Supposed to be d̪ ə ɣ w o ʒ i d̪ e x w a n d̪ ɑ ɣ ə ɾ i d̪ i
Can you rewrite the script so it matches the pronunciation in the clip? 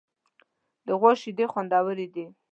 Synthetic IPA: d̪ ə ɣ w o ʃ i d̪ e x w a n d̪ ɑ w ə ɾ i d̪ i